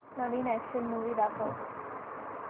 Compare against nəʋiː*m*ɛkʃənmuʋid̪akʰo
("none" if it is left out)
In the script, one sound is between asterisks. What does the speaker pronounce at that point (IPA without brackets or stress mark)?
n